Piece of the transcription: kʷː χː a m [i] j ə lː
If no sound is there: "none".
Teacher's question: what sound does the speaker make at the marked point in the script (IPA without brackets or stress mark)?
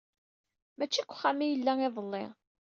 i